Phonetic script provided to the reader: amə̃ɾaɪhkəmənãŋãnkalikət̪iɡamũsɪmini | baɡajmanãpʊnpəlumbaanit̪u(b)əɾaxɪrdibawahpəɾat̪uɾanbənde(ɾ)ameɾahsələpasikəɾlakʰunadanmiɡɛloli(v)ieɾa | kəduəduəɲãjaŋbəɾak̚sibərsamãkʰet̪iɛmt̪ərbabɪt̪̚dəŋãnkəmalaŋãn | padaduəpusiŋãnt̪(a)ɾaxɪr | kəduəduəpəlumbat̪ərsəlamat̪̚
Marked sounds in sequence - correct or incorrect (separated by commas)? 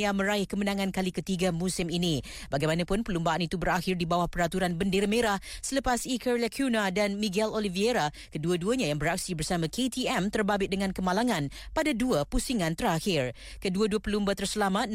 correct, correct, correct, incorrect